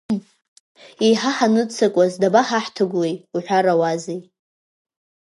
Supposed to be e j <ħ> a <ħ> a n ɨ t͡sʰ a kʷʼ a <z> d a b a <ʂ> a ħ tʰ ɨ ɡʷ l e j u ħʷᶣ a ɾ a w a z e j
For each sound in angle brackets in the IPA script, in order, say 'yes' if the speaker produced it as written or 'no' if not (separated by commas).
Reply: yes, yes, yes, no